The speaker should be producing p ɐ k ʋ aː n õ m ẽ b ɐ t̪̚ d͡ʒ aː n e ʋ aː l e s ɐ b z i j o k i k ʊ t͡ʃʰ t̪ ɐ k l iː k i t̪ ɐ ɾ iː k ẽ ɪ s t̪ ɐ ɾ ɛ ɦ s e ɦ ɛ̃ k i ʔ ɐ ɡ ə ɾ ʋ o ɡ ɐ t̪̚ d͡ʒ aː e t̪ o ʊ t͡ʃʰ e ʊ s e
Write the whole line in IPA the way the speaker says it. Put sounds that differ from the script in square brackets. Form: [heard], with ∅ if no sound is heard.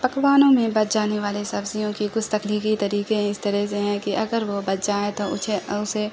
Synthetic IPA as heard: p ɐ k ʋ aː n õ m ẽ b ɐ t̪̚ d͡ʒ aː n e ʋ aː l e s ɐ b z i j [õ] k i k ʊ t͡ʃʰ t̪ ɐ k l iː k i t̪ ɐ ɾ iː k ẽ ɪ s t̪ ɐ ɾ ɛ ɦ s e ɦ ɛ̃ k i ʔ ɐ ɡ ə ɾ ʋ o [b] ɐ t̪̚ d͡ʒ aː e t̪ o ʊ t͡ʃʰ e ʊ s e